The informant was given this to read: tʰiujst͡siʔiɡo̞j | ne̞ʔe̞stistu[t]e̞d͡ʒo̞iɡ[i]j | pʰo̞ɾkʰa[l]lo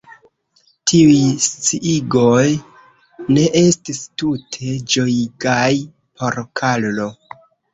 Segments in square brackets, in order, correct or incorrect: incorrect: tʰ, incorrect: a, correct

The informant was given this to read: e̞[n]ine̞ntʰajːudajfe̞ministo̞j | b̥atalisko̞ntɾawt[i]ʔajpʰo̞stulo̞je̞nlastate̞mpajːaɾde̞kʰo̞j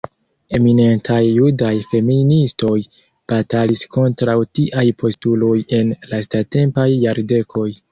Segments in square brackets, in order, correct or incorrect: incorrect: m, correct

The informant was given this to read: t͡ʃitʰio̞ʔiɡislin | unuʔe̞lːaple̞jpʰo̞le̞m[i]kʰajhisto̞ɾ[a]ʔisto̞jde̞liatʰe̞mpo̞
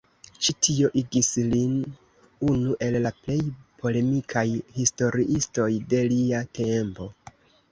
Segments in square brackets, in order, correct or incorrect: correct, incorrect: i

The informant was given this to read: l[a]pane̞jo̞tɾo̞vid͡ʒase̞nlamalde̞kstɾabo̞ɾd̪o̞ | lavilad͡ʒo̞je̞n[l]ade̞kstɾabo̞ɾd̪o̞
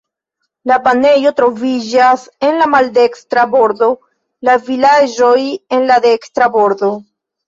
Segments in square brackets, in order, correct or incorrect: correct, correct

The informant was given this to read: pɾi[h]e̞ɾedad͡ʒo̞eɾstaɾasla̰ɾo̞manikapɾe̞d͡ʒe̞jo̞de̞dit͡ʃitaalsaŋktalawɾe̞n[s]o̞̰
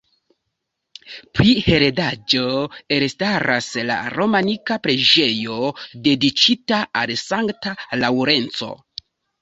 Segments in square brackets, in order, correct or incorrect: correct, incorrect: t͡s

